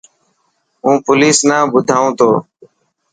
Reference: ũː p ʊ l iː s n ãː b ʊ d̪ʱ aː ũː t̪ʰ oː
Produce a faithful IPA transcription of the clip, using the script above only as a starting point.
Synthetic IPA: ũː p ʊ l iː s n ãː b ʊ d̪ʱ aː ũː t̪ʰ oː